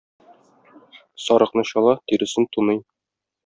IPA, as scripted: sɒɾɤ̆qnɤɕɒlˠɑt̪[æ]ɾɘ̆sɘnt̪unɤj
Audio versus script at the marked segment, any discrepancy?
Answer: yes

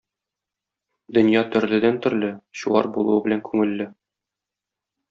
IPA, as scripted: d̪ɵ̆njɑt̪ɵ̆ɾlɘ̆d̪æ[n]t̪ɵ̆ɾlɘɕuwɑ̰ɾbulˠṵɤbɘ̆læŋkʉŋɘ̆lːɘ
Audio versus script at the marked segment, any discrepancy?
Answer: no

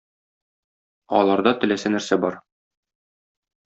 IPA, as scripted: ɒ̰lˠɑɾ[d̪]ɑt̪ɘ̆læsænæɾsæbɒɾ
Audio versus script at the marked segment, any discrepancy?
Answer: no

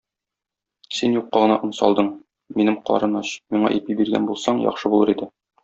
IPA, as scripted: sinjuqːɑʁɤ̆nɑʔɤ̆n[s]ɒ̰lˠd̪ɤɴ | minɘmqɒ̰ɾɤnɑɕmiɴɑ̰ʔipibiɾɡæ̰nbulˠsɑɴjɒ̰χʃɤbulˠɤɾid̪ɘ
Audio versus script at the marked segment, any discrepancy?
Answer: no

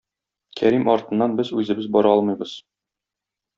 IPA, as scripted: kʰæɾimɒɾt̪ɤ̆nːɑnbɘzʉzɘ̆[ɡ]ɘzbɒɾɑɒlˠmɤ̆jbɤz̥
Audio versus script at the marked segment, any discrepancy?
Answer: yes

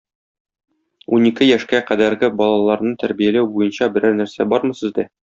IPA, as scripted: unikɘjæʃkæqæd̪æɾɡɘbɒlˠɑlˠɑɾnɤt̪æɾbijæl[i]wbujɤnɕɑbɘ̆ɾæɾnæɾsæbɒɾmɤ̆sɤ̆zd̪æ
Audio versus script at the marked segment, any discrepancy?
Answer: yes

